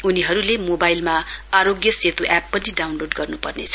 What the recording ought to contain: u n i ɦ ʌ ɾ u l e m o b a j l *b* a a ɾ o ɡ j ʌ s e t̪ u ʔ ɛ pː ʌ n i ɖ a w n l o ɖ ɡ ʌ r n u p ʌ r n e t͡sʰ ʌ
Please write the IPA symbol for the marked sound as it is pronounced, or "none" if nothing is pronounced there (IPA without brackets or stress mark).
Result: m